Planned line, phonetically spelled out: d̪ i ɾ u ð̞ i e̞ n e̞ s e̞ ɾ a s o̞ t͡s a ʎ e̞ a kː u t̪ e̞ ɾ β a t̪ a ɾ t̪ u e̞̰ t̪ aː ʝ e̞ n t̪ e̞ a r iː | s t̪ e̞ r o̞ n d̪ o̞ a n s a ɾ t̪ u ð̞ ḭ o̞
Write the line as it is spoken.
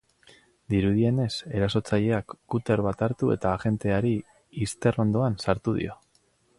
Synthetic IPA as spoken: d̪ i ɾ u ð̞ i e̞ n e̞ s e̞ ɾ a s o̞ t͡s a ʎ e̞ a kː u t̪ e̞ ɾ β a t̪ a ɾ t̪ u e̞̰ t̪ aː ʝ e̞ n t̪ e̞ a ɾ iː | s t̪ e̞ r o̞ n d̪ o̞ a n s a ɾ t̪ u ð̞ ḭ o̞